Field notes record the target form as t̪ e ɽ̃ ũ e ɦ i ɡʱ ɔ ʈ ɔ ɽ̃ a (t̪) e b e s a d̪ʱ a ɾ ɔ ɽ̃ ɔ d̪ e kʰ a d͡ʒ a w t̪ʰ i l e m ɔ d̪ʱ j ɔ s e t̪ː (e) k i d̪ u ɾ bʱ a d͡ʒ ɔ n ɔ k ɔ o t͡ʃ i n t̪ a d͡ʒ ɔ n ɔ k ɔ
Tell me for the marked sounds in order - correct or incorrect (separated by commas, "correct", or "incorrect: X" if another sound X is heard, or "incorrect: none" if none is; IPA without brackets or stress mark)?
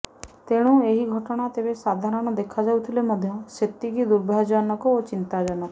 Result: correct, incorrect: i